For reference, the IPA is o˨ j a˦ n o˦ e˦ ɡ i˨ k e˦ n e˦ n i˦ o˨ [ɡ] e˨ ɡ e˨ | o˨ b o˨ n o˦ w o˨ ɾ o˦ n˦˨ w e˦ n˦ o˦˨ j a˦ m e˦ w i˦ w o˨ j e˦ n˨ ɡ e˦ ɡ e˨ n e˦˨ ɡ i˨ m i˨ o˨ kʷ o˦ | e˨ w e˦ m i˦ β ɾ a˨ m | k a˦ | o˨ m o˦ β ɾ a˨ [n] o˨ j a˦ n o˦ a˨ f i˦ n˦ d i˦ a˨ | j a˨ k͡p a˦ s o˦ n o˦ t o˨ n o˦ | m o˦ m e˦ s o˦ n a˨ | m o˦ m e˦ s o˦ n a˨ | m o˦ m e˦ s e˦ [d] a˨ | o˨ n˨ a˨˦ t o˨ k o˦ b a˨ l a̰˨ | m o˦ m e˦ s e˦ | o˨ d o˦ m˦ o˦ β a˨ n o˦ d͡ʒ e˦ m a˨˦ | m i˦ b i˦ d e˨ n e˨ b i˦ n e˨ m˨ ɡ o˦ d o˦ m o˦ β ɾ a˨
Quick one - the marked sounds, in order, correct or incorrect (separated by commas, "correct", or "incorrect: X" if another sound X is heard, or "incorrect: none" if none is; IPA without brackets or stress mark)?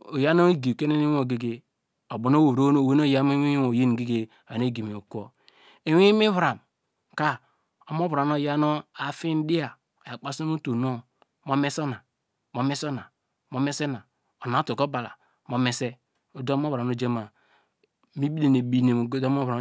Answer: correct, correct, incorrect: n